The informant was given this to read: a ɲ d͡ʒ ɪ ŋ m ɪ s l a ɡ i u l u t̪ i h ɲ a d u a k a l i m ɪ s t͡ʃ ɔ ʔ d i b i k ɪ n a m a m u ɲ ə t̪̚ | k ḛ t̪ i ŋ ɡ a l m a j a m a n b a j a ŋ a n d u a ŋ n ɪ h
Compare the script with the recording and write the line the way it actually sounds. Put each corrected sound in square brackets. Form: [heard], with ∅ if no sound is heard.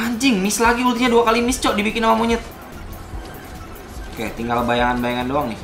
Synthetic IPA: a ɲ d͡ʒ ɪ ŋ m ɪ s l a ɡ i u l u t̪ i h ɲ a d u a k a l i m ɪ s t͡ʃ ɔ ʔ d i b i k ɪ n a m a m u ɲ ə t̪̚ | k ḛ t̪ i ŋ ɡ a l [b] a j a [ŋ] a n b a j a ŋ a n d [o] a ŋ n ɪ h